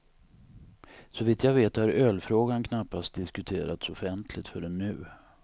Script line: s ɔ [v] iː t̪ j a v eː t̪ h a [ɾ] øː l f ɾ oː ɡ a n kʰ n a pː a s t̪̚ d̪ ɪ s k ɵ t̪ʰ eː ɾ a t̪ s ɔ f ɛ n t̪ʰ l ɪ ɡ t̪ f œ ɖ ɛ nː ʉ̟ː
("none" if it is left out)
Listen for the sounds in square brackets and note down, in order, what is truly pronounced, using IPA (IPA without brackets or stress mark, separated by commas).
v, ɾ